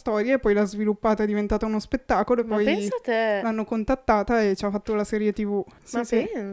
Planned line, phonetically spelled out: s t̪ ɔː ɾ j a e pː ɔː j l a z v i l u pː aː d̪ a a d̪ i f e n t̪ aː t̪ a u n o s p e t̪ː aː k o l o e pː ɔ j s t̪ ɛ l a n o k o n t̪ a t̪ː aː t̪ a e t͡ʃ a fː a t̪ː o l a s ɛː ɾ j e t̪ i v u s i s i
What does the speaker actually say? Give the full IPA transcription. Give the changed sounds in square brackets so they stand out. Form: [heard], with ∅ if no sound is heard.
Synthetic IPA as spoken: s t̪ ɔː ɾ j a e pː [ɔ] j l a z v i l u pː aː [t̪] a [ɛ] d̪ i [v] e n t̪ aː t̪ a u n o s p e t̪ː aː k o l o e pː ɔ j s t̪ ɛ l a [nː] o k o n t̪ a t̪ː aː t̪ a e t͡ʃ a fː a t̪ː o l a s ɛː ɾ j e t̪ i v u s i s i